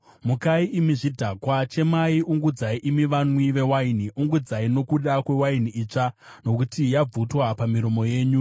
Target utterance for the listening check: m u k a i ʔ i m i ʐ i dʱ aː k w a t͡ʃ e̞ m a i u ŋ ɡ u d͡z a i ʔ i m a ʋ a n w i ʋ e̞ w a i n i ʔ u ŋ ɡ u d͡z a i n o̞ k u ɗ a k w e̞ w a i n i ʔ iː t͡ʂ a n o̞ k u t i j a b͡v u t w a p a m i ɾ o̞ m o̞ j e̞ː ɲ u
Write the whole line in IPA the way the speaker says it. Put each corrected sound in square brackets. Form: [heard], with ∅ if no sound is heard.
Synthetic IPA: m u k a i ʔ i m i ʐ i dʱ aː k w a t͡ʃ e̞ m a i u ŋ ɡ u d͡z a i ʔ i m [i] ʋ a n w i ʋ e̞ w a i n i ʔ u ŋ ɡ u d͡z a i n o̞ k u ɗ a k w e̞ w a i n i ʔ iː t͡ʂ a n o̞ k u t i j a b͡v u t w a p a m i ɾ o̞ m o̞ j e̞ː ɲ u

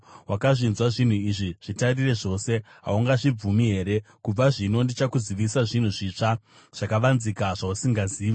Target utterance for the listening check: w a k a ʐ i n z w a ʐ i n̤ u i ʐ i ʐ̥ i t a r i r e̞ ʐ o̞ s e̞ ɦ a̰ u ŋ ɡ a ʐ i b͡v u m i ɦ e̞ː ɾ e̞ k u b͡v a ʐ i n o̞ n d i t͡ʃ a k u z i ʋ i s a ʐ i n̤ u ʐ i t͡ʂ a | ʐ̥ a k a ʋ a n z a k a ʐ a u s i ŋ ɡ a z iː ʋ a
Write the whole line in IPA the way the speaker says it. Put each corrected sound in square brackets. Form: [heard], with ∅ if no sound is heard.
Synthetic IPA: w a k a ʐ i n z w a ʐ i n̤ u i ʐ i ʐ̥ i t a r i r e̞ ʐ o̞ s e̞ ɦ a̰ u ŋ ɡ a ʐ i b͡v u m i ɦ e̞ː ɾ e̞ k u b͡v a ʐ i n o̞ n d i t͡ʃ a k u z i ʋ i s a ʐ i n̤ u ʐ i t͡ʂ a | ʐ̥ a k a ʋ a n z [i] k a ʐ a u s i ŋ ɡ a z iː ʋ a

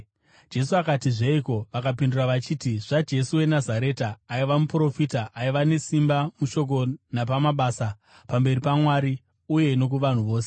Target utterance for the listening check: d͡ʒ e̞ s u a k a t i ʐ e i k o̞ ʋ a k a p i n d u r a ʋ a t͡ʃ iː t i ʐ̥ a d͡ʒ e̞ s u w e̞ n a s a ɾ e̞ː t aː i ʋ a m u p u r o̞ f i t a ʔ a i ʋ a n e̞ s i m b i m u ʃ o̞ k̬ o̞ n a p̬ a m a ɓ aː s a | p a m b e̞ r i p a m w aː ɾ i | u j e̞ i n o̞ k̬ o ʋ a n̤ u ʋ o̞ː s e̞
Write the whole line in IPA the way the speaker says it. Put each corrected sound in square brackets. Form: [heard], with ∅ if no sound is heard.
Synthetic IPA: d͡ʒ e̞ s u a k a t i ʐ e i k o̞ ʋ a k a p i n d u r a ʋ a t͡ʃ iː t i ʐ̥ a d͡ʒ e̞ s u w e̞ n a [z] a ɾ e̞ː t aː i ʋ a m u p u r o̞ f i t a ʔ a i ʋ a n e̞ s i m b [a] m u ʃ o̞ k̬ o̞ n a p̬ a m a ɓ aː s a | p a m b e̞ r i p a m w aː ɾ i | u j e̞ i n o̞ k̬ [u] ʋ a n̤ u ʋ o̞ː s e̞

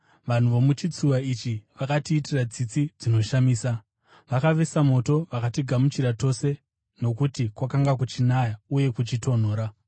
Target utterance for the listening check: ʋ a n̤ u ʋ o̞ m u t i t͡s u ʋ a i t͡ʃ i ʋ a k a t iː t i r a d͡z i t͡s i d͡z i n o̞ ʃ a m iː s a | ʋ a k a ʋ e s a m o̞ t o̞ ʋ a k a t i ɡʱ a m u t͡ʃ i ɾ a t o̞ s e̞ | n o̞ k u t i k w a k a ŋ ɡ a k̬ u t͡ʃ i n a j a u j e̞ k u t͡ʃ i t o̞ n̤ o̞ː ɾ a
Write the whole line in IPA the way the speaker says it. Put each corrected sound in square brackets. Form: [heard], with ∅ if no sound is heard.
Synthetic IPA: ʋ a n̤ u ʋ o̞ m u [t͡ʃ] i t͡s u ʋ a i t͡ʃ i ʋ a k a t iː t i r a d͡z i t͡s i d͡z i n o̞ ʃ a m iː s a | ʋ a k a ʋ e s a m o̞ t o̞ ʋ a k a t i ɡʱ a m u t͡ʃ i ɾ a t o̞ s e̞ | n o̞ k u t i k w a k a ŋ ɡ a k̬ u t͡ʃ i n a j a u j e̞ k u t͡ʃ i t o̞ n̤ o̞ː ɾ a

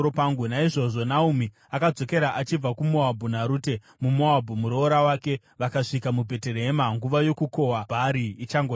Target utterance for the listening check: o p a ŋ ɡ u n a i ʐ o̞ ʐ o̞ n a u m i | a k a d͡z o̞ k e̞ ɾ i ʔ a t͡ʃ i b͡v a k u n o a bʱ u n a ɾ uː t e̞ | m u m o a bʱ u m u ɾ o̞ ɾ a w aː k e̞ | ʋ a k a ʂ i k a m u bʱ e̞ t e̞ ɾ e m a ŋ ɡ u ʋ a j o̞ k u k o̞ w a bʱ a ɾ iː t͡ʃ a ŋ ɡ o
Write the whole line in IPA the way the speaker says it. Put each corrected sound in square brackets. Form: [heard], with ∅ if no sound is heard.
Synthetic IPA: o p a ŋ ɡ u n a i ʐ o̞ ʐ o̞ n a u m i | a k a d͡z o̞ k e̞ ɾ [a] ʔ a t͡ʃ i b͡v a k u [m] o a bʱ u n a ɾ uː t e̞ | m u m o a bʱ u m u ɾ o̞ ɾ a w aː k e̞ | ʋ a k a ʂ i k a m u bʱ e̞ t e̞ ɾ e m a ŋ ɡ u ʋ a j o̞ k u k o̞ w a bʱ a ɾ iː t͡ʃ a ŋ ɡ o

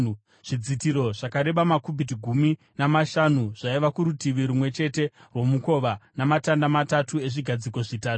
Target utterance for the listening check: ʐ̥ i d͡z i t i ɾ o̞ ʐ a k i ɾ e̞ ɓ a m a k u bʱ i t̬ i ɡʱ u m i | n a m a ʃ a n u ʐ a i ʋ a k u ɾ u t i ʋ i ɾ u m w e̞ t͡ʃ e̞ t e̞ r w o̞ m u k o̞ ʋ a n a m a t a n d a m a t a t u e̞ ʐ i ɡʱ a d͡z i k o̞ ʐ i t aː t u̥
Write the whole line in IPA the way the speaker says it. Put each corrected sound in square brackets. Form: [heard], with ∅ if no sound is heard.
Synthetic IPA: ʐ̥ i d͡z i t i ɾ o̞ ʐ a k [a] ɾ e̞ ɓ a m a k u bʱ i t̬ i ɡʱ u m i | n a m a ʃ a n u ʐ a i ʋ a k u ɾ u t i ʋ i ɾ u m w e̞ t͡ʃ e̞ t e̞ r w o̞ m u k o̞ ʋ a n a m a t a n d a m a t a t u e̞ ʐ i ɡʱ a d͡z i k o̞ ʐ i t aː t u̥

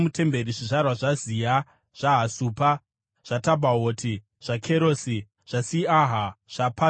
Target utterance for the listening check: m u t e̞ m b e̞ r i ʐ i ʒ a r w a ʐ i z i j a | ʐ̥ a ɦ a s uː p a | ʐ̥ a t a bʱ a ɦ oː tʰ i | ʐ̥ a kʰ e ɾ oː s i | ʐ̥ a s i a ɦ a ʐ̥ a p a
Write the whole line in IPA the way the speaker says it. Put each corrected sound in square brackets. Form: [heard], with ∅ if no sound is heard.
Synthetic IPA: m u t e̞ m b e̞ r i ʐ i [ʐ] a r w a ʐ [a] z i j a | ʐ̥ a ɦ a s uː p a | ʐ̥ a t a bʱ a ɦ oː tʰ i | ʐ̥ a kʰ e ɾ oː s i | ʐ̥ a s i a ɦ a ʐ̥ a p a

